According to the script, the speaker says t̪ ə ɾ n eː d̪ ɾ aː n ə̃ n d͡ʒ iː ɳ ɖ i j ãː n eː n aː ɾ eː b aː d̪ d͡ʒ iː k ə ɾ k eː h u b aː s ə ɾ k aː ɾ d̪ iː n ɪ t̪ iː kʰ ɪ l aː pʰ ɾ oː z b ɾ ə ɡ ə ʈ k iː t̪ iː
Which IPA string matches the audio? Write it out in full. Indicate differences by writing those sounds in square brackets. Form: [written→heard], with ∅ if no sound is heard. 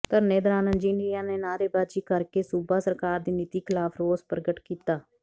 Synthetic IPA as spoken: t̪ ə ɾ n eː d̪ ɾ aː n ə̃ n d͡ʒ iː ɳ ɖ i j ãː n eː n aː ɾ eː b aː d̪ d͡ʒ iː k ə ɾ k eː [h→s] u b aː s ə ɾ k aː ɾ d̪ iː n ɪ t̪ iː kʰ ɪ l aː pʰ ɾ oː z [b→p] ɾ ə ɡ ə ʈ k iː t̪ [iː→aː]